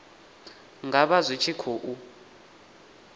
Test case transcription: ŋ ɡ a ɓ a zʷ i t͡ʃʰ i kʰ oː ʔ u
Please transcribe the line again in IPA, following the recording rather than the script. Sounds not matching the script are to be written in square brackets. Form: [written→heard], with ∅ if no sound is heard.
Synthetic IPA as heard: ŋ ɡ a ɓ a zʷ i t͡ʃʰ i kʰ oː ʔ u

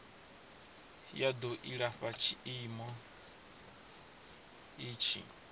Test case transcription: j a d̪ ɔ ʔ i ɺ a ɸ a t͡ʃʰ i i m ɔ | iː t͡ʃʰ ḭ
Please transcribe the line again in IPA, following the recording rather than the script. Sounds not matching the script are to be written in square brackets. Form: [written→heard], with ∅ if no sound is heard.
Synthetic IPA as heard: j a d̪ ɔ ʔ i ɺ a ɸ a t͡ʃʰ i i m ɔ | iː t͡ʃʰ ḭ

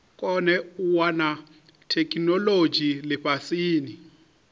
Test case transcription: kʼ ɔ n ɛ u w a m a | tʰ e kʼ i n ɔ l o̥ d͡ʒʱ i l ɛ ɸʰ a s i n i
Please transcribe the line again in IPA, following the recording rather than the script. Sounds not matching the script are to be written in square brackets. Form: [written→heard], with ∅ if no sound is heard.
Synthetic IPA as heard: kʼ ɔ n ɛ u w a [m→n] a | tʰ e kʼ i n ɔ l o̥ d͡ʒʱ i l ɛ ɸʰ a s [i→iː] n i

